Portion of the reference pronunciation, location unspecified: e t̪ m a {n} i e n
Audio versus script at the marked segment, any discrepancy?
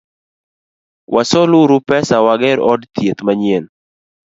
yes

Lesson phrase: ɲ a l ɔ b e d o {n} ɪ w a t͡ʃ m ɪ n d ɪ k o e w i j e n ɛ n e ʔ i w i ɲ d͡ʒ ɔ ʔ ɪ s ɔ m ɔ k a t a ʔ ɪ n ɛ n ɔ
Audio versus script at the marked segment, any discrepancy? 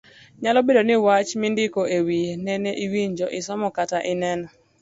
no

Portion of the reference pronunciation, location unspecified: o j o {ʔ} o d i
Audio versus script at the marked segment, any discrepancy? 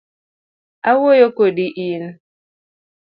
yes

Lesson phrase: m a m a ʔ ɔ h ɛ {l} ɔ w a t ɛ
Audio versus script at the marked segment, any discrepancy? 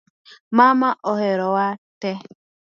yes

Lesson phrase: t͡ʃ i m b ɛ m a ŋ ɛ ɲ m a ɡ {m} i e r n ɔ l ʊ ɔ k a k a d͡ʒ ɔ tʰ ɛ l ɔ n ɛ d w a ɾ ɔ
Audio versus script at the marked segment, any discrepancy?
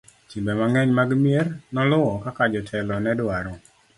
no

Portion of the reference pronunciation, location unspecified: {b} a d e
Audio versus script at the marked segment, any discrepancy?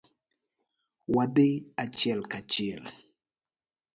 yes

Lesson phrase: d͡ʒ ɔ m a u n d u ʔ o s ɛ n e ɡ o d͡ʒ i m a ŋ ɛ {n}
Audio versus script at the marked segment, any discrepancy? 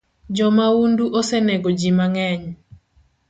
yes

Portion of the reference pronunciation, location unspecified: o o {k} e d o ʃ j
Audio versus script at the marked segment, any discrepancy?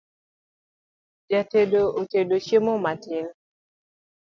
yes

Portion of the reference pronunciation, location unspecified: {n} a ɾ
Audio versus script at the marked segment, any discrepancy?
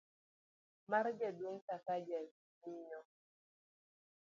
yes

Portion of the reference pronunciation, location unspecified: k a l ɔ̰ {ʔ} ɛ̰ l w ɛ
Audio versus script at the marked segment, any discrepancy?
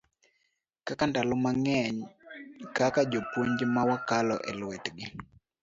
no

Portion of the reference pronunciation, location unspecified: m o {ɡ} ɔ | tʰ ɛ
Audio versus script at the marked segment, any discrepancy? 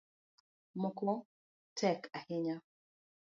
yes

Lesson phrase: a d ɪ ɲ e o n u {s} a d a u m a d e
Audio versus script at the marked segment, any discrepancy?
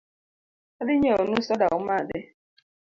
no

